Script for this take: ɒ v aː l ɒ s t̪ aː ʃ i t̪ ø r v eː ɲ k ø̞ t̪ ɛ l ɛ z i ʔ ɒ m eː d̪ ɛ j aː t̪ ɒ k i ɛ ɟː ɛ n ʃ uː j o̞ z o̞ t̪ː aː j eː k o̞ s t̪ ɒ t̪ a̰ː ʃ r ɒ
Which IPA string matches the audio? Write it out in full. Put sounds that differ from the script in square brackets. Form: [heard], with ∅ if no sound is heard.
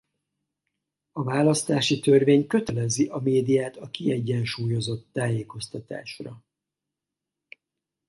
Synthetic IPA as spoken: ɒ v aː l ɒ s t̪ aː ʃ i t̪ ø r v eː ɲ k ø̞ t̪ ɛ l ɛ z i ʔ ɒ m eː d̪ [i] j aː t̪ ɒ k i ɛ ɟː ɛ n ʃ uː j o̞ z o̞ t̪ː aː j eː k o̞ s t̪ ɒ t̪ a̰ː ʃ r ɒ